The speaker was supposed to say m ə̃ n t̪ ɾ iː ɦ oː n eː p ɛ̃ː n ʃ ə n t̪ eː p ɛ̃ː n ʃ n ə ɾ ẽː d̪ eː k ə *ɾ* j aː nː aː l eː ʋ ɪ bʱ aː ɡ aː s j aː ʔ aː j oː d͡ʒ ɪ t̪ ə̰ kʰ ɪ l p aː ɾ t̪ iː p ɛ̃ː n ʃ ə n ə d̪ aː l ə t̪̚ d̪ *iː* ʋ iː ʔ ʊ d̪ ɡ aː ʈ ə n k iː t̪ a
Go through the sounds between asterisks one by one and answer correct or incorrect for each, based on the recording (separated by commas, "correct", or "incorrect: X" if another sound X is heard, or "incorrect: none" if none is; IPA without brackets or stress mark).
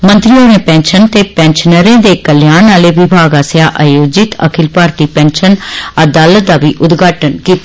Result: incorrect: l, incorrect: aː